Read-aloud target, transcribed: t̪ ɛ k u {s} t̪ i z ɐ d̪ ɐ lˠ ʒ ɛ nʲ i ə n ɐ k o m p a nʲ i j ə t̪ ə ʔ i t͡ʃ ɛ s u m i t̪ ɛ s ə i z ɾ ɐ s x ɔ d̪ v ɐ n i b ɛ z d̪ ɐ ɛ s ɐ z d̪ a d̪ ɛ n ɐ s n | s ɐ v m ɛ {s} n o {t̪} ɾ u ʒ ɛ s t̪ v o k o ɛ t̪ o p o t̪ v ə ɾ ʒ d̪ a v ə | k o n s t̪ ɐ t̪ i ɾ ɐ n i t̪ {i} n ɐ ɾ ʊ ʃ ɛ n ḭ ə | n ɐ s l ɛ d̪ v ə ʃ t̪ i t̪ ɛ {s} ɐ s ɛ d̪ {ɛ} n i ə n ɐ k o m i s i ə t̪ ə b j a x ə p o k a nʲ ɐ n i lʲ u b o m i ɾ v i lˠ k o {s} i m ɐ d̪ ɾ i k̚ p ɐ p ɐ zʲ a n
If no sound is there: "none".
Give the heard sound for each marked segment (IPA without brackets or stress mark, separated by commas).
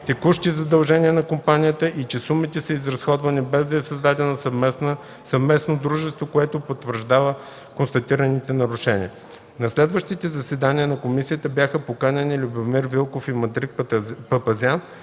ʃ, s, d̪, ɛ, z, a, f